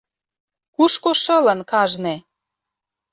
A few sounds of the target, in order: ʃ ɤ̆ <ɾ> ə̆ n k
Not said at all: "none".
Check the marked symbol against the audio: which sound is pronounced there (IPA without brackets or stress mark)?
l